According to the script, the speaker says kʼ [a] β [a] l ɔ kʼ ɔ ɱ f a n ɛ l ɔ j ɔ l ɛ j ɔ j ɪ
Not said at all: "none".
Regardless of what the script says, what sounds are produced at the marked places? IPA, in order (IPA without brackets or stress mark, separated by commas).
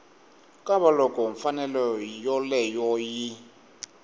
a, a